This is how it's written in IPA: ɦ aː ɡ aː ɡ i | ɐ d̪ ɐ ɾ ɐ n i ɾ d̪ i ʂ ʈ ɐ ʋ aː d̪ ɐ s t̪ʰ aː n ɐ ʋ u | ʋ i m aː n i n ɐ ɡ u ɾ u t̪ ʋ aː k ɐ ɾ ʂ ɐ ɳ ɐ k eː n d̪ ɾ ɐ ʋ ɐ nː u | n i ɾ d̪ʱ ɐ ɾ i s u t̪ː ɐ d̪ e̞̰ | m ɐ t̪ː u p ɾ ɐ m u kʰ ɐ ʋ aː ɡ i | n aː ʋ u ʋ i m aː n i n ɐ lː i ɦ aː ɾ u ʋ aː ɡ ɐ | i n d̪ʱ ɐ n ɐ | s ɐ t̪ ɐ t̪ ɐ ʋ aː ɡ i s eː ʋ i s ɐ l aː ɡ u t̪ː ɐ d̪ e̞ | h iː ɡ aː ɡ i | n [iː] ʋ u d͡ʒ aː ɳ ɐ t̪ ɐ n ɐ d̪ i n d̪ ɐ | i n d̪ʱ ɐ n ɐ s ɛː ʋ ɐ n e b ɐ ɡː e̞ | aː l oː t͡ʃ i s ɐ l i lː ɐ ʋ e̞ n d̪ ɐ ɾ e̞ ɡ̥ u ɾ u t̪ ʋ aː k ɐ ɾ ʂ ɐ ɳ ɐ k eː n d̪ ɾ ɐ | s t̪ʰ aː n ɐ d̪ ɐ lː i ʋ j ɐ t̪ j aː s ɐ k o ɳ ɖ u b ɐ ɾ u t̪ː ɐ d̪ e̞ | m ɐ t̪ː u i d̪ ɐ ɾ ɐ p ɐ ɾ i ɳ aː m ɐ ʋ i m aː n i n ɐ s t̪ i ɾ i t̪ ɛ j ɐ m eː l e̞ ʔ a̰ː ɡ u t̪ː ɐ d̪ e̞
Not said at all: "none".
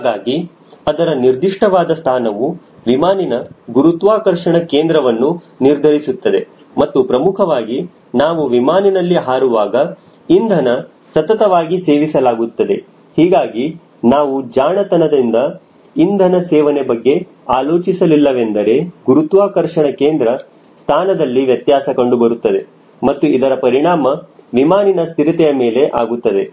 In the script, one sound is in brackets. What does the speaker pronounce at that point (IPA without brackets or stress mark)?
aː